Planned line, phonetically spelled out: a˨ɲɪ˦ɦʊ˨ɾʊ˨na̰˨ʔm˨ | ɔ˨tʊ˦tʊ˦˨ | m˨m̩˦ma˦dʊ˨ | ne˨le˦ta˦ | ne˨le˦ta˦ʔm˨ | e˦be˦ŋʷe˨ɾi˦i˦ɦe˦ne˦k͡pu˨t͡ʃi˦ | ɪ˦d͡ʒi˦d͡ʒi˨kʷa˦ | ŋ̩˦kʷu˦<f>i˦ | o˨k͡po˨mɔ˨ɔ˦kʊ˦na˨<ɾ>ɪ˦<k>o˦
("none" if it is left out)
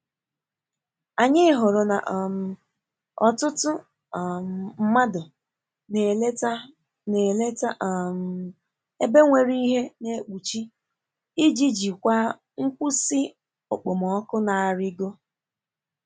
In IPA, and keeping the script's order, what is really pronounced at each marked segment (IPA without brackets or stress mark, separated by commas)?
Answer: s, ɾ, ɡ